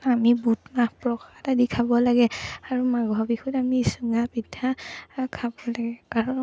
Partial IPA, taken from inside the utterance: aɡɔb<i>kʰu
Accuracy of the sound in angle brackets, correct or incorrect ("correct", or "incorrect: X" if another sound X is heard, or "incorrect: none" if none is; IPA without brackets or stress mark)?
correct